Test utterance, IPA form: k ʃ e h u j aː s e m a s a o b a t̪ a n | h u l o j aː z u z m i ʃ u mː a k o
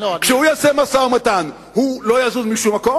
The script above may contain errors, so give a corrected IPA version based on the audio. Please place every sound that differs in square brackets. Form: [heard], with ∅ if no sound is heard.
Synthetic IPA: k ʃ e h u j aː s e m a s a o [m] a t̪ a n | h u l o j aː z u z m i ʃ u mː a k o